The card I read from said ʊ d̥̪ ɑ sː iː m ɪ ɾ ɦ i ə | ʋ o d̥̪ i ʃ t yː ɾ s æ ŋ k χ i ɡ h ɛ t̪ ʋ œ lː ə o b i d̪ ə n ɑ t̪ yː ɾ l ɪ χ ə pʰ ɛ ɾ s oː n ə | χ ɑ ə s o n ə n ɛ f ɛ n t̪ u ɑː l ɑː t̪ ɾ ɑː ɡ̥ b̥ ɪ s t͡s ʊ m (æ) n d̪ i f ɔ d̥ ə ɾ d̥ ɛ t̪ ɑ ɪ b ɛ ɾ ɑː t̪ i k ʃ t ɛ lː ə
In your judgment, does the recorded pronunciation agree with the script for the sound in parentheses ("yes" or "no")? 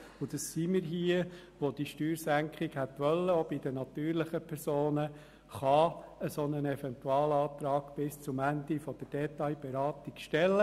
yes